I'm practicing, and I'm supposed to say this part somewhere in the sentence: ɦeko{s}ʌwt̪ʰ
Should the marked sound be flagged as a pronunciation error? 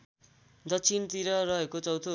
yes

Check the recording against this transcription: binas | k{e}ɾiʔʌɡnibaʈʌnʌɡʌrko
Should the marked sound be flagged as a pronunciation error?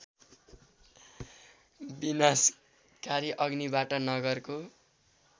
yes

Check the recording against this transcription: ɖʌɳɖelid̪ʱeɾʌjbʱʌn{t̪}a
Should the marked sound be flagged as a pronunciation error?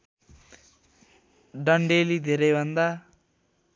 yes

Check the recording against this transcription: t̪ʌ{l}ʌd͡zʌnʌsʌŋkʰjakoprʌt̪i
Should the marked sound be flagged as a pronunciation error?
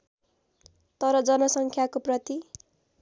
yes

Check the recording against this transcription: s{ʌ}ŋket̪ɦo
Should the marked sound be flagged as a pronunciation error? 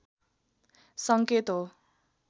no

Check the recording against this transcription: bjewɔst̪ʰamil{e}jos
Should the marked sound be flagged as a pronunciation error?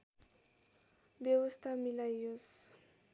yes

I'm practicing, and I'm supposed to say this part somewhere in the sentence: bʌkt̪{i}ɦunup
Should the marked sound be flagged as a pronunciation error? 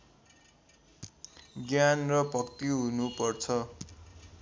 no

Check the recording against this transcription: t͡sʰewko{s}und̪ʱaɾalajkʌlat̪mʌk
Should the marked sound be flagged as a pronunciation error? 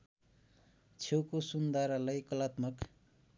no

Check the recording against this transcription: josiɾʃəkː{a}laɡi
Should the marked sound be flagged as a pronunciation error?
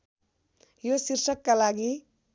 no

